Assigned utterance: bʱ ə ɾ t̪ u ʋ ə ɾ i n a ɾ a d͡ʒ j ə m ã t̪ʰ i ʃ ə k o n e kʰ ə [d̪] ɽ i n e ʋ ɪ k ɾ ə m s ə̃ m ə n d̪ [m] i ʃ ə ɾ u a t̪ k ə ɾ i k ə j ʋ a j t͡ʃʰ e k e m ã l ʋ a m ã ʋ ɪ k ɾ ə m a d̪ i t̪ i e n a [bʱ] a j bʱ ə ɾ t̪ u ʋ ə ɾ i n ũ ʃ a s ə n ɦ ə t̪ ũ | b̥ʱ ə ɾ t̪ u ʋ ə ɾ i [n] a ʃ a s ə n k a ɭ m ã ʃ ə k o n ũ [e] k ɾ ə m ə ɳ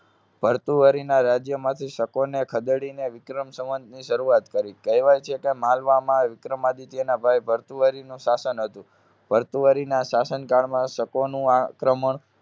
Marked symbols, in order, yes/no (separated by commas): yes, no, yes, yes, no